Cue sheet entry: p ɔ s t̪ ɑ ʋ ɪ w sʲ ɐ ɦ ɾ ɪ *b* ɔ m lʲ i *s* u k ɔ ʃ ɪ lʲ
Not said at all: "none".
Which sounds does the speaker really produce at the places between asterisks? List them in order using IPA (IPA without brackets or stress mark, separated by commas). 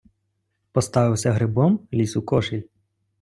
b, s